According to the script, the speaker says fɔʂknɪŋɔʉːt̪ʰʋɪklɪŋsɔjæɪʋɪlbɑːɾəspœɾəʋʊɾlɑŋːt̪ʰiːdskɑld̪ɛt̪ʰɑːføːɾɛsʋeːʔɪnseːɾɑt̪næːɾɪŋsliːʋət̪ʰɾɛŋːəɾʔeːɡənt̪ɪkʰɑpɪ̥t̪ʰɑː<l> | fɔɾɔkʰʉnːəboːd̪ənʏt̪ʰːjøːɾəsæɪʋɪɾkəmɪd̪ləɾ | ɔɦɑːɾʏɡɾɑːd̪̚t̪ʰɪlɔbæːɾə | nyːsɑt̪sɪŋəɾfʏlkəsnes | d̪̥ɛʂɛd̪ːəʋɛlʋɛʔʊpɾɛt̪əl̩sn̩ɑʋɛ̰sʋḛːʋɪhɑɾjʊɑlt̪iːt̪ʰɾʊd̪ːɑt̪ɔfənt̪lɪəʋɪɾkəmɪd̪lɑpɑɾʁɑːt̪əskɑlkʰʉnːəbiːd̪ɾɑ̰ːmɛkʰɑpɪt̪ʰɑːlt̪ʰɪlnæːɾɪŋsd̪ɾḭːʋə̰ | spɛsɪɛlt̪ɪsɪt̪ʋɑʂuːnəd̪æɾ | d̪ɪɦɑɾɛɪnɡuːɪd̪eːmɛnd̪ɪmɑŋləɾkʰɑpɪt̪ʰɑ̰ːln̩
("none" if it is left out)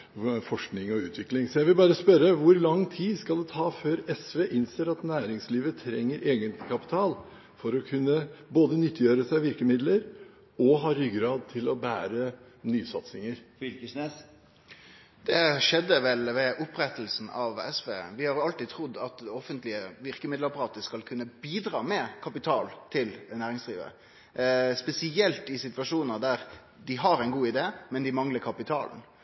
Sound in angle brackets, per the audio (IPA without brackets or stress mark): l